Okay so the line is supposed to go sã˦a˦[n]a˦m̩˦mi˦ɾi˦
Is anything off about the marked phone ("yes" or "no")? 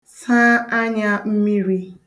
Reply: yes